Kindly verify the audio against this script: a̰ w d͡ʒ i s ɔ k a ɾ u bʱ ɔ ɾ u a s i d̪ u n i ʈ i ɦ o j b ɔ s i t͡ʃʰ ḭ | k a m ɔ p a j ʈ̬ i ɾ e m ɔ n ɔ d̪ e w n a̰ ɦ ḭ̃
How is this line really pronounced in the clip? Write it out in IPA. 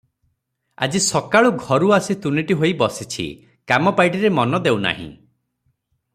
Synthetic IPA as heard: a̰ d͡ʒ i s ɔ k a ɭ u ɡʱ ɔ ɾ u a s i t̪ u n i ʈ i ɦ o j b ɔ s i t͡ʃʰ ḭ | k a m ɔ p a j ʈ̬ i ɾ e m ɔ n ɔ d̪ e w n a̰ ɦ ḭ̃